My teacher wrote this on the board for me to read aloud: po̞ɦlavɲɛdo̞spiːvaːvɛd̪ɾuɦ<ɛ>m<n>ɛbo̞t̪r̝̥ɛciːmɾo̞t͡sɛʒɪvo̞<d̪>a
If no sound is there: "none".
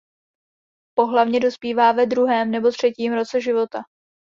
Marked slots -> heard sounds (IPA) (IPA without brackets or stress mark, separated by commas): ɛː, n, t̪